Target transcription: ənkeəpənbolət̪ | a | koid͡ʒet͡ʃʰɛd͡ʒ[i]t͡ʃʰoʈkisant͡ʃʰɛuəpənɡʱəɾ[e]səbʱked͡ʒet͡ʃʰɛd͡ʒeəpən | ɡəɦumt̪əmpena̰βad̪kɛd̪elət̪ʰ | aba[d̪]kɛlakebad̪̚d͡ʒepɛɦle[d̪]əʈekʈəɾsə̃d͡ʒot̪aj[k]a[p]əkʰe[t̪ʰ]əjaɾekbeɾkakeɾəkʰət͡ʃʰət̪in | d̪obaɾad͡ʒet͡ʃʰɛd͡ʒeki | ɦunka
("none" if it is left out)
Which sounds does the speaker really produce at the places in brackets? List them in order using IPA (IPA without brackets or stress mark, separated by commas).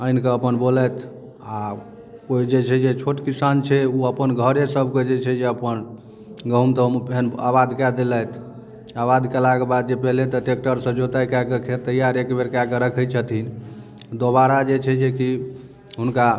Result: e, e, d̪, t̪, k, k, t̪